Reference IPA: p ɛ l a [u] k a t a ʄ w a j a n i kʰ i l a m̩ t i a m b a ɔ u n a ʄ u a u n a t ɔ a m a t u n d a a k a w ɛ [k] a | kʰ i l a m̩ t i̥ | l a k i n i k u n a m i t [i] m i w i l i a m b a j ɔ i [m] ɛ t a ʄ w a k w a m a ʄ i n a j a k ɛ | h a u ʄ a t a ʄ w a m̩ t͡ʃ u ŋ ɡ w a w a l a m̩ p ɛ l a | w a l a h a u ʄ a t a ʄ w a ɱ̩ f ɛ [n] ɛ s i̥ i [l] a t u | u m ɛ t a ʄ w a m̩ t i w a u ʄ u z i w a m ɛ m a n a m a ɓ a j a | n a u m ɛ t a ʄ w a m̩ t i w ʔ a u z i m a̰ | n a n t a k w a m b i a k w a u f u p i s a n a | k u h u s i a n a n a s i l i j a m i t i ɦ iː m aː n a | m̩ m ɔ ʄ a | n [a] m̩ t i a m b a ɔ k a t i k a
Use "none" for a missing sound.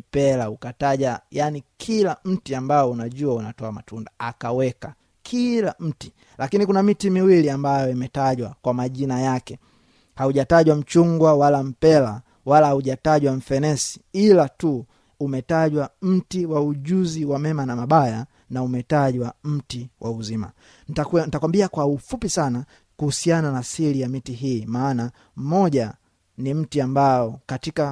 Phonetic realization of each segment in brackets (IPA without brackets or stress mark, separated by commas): u, k, i, m, n, l, i